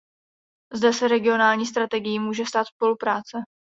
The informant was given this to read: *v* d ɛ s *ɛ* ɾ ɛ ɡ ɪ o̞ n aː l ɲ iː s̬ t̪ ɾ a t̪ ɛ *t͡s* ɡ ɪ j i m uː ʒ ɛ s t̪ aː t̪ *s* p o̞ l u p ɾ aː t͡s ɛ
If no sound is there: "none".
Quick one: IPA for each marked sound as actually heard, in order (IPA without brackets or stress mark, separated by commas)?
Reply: z, ɛ, none, s